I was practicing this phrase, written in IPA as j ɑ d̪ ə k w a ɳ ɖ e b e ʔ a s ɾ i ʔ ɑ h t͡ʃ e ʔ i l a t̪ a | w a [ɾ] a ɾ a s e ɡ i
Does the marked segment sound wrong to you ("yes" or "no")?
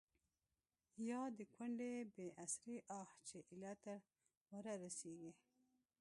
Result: no